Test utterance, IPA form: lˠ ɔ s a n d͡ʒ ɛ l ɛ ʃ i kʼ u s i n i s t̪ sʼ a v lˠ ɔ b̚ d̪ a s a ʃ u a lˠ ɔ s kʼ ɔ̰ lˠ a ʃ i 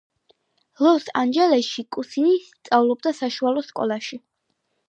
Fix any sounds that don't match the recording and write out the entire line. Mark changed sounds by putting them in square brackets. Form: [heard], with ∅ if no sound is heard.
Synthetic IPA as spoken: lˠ ɔ s a n d͡ʒ ɛ l ɛ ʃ i kʼ u s i n i s t̪ sʼ a v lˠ ɔ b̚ d̪ a s a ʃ u a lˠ ɔ s kʼ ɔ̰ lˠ a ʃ i